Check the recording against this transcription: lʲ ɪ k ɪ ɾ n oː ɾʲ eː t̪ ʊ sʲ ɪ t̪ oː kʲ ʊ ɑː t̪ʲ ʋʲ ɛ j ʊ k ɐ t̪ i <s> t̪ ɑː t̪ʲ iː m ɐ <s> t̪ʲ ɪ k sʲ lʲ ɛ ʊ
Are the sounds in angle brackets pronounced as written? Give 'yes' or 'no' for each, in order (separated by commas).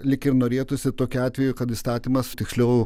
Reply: yes, yes